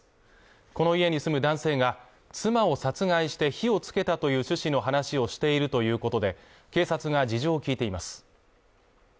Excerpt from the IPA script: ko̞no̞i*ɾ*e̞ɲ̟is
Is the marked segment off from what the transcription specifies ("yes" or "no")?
yes